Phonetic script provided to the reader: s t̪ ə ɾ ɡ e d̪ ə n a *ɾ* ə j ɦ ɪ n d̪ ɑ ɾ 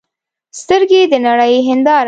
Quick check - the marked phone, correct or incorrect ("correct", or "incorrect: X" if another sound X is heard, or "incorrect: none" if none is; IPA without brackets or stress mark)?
incorrect: ɽ